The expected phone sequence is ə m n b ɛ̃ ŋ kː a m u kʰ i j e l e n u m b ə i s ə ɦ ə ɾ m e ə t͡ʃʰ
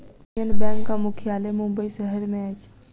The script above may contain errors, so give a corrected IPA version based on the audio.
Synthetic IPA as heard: ə n b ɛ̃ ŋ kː a m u kʰ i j a l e m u m b ə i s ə ɦ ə ɾ m e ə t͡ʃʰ